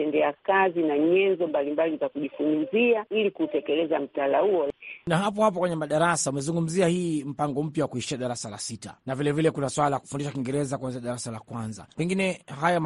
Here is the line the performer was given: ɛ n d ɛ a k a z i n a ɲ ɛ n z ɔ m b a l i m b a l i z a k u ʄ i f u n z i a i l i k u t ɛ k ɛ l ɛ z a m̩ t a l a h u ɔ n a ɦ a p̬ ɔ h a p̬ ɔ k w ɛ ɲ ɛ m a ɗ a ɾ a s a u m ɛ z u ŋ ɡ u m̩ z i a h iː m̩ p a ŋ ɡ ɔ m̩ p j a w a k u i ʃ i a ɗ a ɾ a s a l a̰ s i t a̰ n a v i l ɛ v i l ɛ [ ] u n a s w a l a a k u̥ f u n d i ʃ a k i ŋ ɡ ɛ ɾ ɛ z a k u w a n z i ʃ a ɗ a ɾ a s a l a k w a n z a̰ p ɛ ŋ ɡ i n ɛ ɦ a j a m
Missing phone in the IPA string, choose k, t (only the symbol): k